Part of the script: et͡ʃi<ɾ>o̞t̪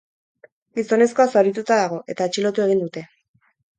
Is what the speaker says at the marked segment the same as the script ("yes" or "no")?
no